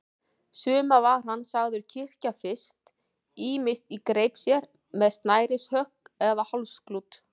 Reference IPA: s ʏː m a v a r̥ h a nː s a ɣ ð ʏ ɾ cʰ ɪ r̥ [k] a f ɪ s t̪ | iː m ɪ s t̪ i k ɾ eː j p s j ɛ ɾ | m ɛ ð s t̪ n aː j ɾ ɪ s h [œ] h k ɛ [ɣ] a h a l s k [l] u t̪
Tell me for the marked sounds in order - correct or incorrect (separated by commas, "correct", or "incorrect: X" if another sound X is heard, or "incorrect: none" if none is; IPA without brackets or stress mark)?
incorrect: c, correct, incorrect: ð, correct